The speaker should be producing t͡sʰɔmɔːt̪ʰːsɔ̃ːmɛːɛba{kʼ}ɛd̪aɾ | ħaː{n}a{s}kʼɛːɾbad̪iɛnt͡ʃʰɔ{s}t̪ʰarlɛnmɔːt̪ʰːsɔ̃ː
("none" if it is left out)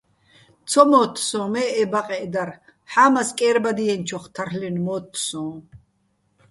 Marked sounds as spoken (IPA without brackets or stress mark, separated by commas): qʼ, m, s, χ